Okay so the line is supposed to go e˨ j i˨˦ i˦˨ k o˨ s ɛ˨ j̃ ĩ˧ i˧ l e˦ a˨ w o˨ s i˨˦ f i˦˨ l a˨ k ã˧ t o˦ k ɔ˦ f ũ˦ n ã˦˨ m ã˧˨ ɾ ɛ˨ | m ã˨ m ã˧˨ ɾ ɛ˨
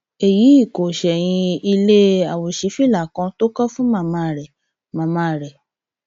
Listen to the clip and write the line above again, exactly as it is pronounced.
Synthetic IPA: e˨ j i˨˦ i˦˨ k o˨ ʃ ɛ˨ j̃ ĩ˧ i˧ l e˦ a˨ w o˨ ʃ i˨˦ f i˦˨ l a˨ k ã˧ t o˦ k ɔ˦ f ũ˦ m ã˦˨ m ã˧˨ ɾ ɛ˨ | m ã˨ m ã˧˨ ɾ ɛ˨